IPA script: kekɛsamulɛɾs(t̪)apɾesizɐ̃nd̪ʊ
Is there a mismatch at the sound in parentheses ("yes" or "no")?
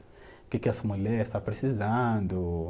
no